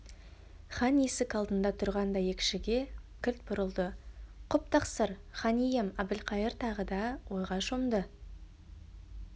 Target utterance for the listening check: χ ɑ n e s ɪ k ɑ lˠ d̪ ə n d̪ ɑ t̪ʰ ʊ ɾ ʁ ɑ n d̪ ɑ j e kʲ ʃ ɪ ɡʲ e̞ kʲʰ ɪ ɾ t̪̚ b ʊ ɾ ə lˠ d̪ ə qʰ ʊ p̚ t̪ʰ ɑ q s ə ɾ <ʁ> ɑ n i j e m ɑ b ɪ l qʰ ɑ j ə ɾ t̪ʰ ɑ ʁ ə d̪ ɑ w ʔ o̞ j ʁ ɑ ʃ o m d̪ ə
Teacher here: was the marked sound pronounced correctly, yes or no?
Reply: no